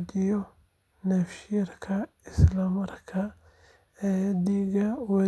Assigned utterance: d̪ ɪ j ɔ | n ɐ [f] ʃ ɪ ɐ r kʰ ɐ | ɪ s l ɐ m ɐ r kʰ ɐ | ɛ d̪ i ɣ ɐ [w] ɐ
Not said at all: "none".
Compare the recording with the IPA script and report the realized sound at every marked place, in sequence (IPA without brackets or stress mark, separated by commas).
f, w